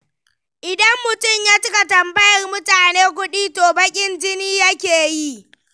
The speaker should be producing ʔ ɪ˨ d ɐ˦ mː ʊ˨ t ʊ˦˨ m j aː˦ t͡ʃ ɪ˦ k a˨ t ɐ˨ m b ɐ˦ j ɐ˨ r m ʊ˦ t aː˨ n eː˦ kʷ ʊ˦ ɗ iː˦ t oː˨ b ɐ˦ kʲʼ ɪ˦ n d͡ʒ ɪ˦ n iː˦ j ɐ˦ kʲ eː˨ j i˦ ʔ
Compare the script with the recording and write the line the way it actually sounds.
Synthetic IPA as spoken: ʔ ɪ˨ d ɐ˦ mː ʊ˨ t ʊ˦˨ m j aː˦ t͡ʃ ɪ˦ k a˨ t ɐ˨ m b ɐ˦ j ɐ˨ r m ʊ˦ t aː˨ n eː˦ kʷ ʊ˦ ɗ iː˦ t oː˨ b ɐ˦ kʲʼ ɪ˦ n d͡ʒ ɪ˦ n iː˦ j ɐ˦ kʲ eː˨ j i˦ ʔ